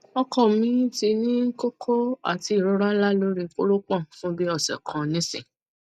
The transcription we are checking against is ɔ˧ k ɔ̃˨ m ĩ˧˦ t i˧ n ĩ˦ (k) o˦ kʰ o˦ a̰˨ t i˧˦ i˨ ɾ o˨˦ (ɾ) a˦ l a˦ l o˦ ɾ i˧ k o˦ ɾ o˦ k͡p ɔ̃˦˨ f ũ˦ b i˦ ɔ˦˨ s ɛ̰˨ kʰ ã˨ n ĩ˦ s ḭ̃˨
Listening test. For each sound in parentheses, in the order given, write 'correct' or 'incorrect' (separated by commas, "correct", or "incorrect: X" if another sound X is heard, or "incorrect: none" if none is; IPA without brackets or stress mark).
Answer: correct, correct